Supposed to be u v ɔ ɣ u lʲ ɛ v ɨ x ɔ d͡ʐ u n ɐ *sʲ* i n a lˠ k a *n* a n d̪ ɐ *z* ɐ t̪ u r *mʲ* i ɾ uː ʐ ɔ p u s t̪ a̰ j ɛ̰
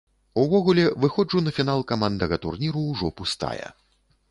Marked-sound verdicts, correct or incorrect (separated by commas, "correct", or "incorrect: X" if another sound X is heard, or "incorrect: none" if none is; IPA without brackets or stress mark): incorrect: fʲ, incorrect: m, incorrect: ɣ, incorrect: nʲ